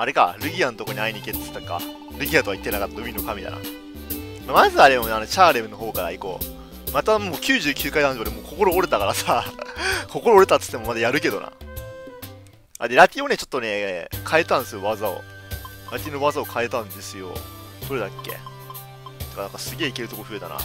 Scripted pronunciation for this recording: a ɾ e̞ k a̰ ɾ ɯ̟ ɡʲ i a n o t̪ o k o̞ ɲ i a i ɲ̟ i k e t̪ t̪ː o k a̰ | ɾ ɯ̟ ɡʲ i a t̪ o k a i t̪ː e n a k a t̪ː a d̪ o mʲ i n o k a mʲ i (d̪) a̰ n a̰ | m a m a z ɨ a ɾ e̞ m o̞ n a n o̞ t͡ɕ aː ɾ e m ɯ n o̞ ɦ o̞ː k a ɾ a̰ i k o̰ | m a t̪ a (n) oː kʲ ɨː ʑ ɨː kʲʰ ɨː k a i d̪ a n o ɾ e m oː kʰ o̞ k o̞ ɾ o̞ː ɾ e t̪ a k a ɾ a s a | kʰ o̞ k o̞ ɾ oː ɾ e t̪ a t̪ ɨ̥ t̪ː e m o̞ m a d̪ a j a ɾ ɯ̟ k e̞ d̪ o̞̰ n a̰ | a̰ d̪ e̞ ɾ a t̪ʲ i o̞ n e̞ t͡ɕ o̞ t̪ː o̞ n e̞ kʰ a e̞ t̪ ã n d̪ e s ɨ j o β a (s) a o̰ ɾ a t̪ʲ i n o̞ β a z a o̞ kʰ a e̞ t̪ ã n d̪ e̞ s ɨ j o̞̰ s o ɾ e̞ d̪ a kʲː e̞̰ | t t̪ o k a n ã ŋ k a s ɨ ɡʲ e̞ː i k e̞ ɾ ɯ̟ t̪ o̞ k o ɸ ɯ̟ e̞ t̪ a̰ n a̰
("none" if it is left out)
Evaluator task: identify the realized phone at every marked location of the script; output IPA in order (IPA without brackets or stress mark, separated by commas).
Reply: t̪, m, z